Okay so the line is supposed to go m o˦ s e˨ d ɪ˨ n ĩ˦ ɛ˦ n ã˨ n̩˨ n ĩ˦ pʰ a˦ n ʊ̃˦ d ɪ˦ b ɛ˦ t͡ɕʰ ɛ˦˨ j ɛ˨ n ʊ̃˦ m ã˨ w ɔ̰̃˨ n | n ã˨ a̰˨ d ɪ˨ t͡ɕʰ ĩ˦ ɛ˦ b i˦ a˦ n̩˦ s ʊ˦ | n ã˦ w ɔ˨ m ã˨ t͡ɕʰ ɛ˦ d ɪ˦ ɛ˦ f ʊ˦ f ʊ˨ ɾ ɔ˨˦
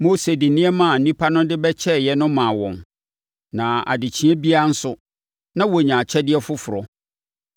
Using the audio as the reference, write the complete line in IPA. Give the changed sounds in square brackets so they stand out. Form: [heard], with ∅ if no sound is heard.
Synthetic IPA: m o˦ s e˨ d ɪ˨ n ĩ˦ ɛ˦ [m] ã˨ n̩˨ n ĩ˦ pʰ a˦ n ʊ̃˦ d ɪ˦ b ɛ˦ t͡ɕʰ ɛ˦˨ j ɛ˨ n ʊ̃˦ m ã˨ w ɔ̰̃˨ n | n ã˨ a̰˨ d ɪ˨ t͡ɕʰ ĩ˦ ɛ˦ b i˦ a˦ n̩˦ s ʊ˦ | n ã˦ w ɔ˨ [ɲ] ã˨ t͡ɕʰ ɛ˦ d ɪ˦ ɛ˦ f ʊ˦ f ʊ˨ ɾ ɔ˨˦